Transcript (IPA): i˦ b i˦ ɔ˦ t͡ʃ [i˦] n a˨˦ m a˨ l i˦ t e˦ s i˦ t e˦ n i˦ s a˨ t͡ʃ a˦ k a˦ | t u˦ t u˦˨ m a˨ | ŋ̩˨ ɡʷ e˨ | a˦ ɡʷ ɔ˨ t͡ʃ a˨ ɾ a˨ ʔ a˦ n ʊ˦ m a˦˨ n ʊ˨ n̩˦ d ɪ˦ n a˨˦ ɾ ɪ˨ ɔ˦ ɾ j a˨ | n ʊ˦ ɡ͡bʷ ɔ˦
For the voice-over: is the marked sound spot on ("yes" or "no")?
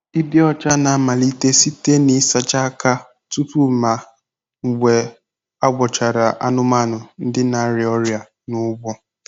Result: no